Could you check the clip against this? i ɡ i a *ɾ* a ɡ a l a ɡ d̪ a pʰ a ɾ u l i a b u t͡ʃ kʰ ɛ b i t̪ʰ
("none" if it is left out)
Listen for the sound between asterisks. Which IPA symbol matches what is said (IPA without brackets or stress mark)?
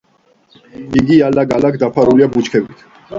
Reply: l